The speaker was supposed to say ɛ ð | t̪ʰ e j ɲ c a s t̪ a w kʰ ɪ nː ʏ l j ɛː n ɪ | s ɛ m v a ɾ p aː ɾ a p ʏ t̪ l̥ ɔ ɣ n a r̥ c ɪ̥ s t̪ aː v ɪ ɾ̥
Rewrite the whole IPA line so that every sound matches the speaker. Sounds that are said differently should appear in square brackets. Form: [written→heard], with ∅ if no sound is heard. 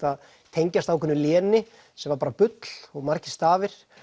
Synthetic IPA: [ɛ→a] ð | t̪ʰ e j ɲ c a s t̪ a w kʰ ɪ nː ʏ l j ɛː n ɪ | s ɛ m v a ɾ p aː ɾ a p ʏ t̪ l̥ ɔ ɣ [n→m] a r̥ c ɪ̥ s t̪ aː v ɪ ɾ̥